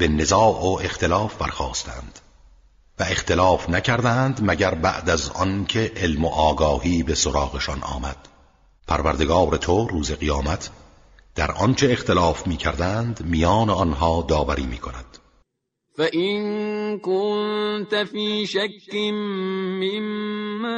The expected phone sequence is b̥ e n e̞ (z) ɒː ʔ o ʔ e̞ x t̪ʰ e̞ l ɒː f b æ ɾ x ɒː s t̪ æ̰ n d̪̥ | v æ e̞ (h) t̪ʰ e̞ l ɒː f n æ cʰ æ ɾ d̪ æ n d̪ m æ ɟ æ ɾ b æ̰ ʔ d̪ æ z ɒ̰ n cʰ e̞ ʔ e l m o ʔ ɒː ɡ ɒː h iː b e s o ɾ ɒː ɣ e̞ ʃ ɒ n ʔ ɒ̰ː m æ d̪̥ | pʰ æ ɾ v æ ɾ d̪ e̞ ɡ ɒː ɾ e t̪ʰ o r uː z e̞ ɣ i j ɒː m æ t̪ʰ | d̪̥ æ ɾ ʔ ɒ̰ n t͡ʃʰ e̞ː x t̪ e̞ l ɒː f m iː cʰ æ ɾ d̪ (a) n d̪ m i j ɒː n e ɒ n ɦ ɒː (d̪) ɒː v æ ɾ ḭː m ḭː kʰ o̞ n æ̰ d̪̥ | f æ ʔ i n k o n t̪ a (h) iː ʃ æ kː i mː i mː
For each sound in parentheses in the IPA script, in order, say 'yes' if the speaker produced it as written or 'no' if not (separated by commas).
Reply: yes, no, no, yes, no